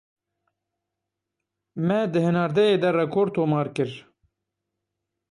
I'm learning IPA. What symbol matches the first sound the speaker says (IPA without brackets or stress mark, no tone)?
m